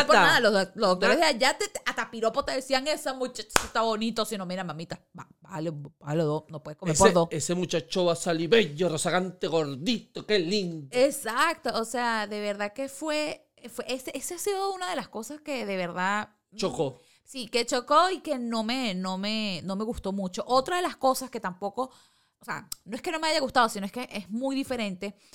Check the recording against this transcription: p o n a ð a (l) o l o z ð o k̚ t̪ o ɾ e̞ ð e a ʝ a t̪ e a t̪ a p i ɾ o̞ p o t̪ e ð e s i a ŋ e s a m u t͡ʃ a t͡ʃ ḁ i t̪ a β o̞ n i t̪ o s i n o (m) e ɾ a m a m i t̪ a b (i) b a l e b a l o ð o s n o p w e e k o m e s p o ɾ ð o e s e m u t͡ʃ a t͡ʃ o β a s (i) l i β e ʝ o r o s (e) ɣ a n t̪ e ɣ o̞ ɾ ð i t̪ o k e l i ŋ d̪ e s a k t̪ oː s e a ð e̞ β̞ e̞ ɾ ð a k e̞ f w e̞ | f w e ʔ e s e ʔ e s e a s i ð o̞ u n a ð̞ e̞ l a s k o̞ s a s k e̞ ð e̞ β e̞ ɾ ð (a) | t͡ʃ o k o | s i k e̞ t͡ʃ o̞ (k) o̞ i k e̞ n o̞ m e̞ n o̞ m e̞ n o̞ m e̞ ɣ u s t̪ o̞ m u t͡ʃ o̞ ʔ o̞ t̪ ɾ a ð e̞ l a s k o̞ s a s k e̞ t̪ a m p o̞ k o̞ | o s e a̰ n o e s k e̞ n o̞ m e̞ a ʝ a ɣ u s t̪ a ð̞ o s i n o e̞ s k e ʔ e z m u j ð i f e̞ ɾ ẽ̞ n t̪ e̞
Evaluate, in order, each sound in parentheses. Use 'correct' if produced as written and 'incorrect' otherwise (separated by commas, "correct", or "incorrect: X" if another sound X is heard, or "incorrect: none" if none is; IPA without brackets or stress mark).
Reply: correct, correct, incorrect: a, incorrect: a, incorrect: a, correct, correct